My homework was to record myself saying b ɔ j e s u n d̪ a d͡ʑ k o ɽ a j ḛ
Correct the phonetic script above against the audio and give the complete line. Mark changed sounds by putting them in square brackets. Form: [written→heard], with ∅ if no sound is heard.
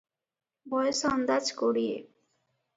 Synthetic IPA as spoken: b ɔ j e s [u→ɔ] n d̪ a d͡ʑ k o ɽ [a→i] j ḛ